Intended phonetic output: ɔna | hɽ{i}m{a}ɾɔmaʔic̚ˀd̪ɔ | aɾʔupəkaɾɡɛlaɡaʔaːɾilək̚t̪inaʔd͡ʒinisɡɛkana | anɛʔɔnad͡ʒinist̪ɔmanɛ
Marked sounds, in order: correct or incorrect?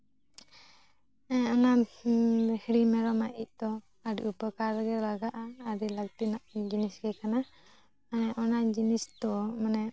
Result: correct, incorrect

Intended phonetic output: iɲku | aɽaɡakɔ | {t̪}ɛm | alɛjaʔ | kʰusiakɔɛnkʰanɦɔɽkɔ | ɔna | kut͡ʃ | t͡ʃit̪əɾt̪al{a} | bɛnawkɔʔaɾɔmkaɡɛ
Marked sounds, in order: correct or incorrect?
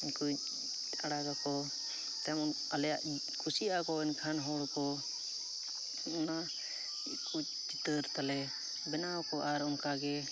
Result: correct, incorrect

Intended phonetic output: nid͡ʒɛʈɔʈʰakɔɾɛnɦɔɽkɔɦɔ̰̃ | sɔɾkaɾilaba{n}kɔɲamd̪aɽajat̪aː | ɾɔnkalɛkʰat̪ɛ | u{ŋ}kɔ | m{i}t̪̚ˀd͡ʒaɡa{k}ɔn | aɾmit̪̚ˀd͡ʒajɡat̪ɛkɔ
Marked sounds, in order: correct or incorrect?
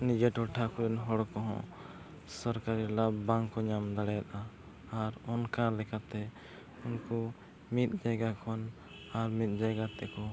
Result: incorrect, incorrect, correct, incorrect

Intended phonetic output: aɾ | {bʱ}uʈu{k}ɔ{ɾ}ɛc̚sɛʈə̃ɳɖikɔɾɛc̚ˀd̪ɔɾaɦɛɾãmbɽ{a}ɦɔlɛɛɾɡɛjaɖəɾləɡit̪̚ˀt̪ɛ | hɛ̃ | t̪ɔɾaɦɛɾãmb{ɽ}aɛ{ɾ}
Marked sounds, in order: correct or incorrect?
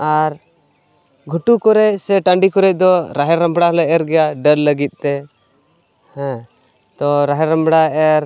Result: incorrect, correct, correct, correct, correct, correct

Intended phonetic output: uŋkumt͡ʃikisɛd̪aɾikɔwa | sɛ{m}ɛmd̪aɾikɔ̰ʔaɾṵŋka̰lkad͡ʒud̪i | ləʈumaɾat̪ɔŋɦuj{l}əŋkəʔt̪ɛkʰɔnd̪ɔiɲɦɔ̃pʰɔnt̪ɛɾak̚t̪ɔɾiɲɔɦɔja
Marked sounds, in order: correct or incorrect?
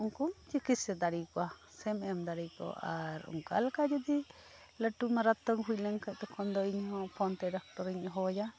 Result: correct, correct

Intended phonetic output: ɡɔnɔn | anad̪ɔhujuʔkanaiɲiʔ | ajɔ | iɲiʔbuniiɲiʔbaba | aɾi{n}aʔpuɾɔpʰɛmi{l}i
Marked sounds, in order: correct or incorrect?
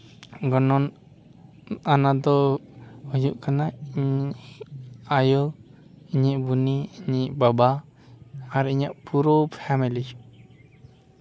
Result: incorrect, correct

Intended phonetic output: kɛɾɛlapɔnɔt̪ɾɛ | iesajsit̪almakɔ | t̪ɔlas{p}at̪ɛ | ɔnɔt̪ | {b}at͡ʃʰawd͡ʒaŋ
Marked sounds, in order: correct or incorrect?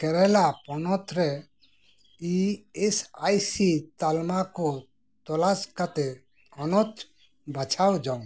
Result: incorrect, correct

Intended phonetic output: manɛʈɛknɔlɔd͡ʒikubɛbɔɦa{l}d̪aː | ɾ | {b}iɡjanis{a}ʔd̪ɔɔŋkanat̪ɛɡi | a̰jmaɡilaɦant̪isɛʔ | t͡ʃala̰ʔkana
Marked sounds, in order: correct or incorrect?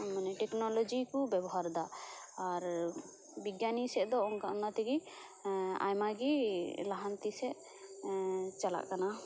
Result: incorrect, correct, incorrect

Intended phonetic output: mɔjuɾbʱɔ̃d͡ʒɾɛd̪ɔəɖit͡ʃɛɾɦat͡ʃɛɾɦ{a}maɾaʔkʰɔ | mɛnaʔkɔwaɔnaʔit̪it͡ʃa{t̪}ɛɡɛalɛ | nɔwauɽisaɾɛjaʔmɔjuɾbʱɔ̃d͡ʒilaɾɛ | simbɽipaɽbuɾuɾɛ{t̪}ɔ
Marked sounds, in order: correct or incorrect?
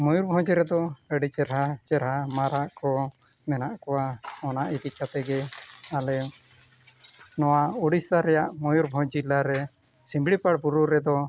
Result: correct, correct, incorrect

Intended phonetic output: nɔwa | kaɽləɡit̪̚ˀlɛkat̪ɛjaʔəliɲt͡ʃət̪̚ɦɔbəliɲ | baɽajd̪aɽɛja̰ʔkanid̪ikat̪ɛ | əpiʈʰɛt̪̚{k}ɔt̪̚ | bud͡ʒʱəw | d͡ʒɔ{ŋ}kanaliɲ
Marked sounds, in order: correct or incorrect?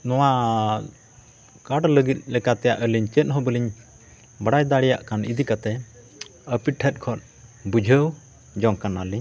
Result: incorrect, correct

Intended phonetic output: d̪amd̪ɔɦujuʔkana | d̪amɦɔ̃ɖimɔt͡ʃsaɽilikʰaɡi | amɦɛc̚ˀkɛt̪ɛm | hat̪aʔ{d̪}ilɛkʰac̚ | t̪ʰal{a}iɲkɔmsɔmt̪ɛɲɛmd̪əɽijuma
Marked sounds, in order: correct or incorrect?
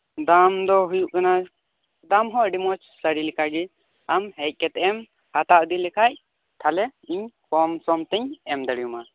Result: correct, incorrect

